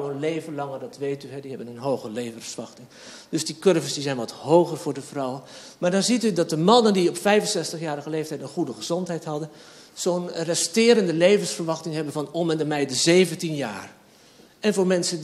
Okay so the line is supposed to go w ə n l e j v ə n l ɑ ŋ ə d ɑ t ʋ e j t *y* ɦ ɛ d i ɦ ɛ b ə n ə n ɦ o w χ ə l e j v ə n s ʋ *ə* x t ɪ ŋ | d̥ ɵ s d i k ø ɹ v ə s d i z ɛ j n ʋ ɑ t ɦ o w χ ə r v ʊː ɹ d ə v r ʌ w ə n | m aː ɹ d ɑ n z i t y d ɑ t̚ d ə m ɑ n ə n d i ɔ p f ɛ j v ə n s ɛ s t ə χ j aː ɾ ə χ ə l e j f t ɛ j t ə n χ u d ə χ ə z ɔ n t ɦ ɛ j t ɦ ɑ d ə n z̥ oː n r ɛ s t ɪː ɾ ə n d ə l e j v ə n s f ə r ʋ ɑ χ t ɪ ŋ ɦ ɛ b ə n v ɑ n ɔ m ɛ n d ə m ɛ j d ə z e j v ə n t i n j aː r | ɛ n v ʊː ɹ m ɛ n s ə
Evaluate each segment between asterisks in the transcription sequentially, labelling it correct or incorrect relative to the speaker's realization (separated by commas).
correct, incorrect